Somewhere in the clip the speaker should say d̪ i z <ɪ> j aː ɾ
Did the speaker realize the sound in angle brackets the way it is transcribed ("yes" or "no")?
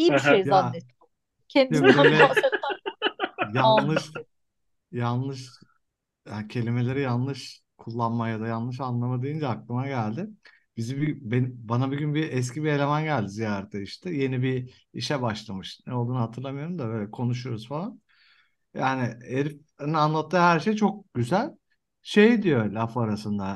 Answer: no